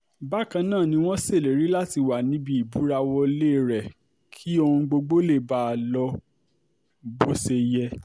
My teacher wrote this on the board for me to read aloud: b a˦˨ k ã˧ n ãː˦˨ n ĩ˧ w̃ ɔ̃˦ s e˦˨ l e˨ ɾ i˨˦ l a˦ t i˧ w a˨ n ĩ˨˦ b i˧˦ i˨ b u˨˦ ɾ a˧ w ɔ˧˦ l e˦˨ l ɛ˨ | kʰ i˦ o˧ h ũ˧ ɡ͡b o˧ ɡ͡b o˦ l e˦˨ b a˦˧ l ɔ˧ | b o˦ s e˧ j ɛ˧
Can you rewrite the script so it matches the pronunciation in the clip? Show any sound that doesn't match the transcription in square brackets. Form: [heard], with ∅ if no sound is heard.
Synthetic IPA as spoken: b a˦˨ k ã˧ n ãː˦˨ n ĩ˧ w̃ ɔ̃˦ s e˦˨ l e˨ ɾ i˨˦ l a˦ t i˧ w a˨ n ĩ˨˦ b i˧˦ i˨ b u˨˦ ɾ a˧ w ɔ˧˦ l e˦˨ [ɾ] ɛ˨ | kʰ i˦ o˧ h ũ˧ ɡ͡b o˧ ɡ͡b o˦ l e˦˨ b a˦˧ l ɔ˧ | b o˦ s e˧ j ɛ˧